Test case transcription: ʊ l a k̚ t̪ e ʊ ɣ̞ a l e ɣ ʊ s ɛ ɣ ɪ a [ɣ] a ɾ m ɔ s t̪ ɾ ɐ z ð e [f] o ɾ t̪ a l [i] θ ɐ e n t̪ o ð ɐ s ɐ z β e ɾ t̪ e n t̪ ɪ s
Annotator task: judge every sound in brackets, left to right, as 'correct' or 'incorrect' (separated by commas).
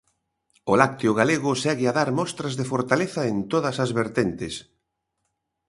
incorrect, correct, incorrect